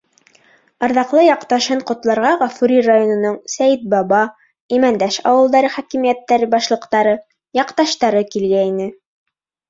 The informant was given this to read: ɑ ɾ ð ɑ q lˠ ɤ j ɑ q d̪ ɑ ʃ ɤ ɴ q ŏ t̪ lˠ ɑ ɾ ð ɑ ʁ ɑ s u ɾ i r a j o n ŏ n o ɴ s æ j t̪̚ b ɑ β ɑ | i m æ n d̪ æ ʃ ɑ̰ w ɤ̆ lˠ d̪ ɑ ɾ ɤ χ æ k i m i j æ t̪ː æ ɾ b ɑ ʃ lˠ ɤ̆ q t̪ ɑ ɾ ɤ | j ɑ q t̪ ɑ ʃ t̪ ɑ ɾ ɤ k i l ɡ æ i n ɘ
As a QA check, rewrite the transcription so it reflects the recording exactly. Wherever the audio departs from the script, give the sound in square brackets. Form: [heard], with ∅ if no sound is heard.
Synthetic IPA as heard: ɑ ɾ ð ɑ q lˠ ɤ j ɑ q [t̪] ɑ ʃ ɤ ɴ q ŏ t̪ lˠ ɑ ɾ [ʁ] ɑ ʁ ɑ [f] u ɾ i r a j o n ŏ n o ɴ s æ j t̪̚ b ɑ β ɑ | i m æ n d̪ æ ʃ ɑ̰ w ɤ̆ lˠ d̪ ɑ ɾ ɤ χ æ k i m i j æ t̪ː æ ɾ b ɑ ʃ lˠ ɤ̆ q t̪ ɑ ɾ ɤ | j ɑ q t̪ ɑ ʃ t̪ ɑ ɾ ɤ k i l ɡ æ i n ɘ